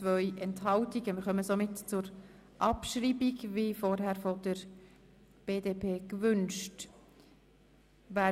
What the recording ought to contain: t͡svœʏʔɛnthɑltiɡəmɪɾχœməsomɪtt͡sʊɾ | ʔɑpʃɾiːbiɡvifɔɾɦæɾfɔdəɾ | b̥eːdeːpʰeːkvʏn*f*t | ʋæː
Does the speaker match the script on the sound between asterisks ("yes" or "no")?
no